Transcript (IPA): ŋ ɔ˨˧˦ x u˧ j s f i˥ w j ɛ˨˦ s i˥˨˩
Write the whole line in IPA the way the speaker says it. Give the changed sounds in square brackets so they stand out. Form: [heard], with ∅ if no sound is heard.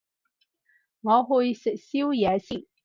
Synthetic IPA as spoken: ŋ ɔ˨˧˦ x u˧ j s [s] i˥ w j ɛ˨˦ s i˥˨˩

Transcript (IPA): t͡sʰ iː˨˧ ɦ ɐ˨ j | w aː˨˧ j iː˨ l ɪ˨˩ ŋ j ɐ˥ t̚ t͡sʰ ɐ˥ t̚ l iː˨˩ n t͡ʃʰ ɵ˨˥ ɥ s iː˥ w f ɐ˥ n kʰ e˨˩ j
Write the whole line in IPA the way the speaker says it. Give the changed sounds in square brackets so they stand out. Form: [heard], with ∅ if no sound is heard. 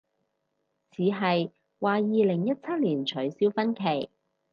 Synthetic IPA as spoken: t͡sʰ iː˨˧ ɦ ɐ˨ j | w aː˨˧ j iː˨ l ɪ˨˩ ŋ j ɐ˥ t̚ t͡sʰ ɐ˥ t̚ l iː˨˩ n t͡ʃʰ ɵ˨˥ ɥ s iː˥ w f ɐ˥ n kʰ e˨˩ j

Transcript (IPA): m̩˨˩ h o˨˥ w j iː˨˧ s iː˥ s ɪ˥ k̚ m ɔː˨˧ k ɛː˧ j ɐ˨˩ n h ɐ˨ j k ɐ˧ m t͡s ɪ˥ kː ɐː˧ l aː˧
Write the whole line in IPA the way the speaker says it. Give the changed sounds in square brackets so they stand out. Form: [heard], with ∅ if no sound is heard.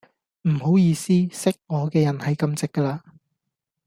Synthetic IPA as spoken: m̩˨˩ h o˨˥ w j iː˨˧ s iː˥ s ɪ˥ k̚ [ŋ] ɔː˨˧ k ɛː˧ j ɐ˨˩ n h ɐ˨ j k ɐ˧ m t͡s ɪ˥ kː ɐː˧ l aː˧

